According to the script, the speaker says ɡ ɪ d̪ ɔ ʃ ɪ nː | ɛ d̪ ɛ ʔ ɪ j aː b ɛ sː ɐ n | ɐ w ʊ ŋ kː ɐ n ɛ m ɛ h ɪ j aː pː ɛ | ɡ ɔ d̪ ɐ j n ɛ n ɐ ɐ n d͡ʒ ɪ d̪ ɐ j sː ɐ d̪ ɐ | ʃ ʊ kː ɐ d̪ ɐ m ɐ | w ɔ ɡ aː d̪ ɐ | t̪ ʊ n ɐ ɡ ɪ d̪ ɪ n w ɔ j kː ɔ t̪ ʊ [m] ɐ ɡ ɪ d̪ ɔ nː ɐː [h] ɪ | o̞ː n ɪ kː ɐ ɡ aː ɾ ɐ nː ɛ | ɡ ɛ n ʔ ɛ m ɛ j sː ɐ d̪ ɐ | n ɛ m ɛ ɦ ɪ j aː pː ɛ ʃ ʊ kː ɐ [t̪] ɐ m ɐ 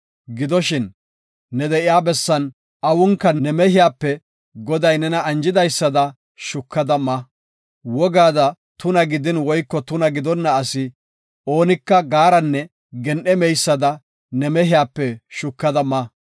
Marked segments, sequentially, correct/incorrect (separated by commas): incorrect, incorrect, incorrect